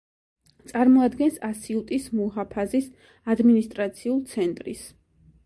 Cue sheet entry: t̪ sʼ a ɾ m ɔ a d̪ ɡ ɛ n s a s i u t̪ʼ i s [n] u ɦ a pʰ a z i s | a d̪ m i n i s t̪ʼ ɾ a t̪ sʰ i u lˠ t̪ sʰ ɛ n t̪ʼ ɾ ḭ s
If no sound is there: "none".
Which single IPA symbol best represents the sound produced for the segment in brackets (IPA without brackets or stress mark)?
m